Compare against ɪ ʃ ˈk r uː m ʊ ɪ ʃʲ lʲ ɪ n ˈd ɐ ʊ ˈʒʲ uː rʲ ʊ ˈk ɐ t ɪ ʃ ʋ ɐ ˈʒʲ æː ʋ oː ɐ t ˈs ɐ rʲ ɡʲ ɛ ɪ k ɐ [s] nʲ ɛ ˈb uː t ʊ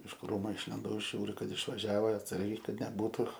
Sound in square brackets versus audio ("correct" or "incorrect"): incorrect